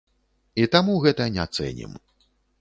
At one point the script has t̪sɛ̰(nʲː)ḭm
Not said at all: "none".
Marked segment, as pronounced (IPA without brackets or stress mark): nʲ